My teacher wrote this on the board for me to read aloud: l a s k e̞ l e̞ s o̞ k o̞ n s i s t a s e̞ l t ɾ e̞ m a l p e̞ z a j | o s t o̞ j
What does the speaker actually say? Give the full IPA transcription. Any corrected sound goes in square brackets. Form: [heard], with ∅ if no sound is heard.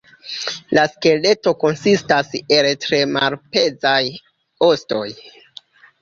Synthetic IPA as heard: l a s k e̞ l e̞ [t] o̞ k o̞ n s i s t a s e̞ l t ɾ e̞ m a l p e̞ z a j | o s t o̞ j